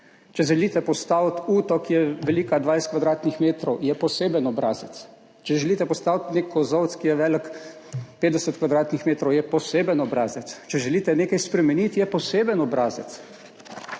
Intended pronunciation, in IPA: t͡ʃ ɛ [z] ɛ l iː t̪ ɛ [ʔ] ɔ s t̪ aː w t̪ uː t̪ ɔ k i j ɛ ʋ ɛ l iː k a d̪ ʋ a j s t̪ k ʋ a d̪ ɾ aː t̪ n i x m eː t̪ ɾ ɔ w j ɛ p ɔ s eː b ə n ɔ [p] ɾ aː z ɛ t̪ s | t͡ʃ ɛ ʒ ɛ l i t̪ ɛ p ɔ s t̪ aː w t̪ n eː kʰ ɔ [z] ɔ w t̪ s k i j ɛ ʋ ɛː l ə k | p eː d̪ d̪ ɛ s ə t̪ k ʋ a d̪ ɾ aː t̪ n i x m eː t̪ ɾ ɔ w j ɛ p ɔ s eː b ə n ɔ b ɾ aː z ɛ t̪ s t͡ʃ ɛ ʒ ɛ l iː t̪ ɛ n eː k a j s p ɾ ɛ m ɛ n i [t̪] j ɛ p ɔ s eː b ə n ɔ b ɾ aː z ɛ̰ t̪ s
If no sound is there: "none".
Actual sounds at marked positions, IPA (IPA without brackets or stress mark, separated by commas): ʒ, p, b, z, t̪